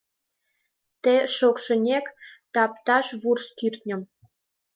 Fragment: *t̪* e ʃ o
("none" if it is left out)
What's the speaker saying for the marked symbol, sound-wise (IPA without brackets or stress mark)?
t̪